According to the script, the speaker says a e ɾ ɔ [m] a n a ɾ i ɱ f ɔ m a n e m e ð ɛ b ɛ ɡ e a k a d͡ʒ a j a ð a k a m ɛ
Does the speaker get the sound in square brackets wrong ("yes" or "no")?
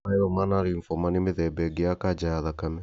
no